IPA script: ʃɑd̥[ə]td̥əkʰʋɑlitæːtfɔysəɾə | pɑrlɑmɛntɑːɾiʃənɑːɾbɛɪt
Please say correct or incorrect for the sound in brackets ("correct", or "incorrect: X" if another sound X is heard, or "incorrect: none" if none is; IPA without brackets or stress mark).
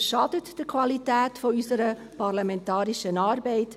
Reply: correct